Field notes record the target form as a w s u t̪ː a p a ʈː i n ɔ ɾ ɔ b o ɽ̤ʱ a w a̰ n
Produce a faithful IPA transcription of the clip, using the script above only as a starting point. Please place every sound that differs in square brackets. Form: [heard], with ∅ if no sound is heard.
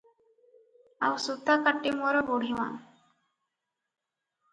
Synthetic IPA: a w s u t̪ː a [k] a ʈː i [m] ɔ ɾ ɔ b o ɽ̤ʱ [i] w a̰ n